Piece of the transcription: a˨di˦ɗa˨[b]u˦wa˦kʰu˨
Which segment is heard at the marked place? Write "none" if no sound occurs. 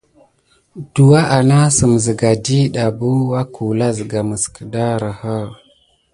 b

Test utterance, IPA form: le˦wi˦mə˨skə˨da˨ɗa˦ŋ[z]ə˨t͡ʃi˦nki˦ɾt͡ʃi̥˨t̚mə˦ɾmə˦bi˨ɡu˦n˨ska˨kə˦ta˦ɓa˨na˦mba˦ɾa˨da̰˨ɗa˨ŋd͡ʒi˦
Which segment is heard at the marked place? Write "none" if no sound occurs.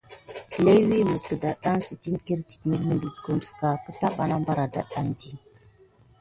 s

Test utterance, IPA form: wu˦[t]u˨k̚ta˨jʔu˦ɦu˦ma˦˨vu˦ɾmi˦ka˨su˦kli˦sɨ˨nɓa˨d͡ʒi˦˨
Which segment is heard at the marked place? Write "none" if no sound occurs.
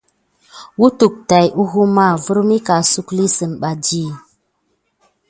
t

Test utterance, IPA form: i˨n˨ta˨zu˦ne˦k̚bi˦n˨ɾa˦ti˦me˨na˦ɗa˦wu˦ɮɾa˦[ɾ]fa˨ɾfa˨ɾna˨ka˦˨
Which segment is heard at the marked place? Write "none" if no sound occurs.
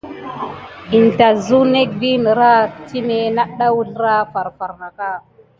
none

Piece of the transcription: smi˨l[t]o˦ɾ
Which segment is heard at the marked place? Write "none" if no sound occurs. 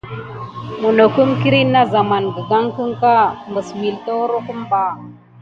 t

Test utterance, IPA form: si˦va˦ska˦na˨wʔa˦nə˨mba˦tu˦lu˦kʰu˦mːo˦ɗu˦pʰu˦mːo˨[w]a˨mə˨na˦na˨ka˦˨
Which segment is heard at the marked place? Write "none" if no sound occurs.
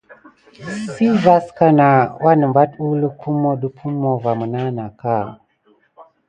v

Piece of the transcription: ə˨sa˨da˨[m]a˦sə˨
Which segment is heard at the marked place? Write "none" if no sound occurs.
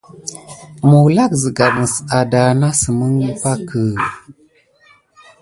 n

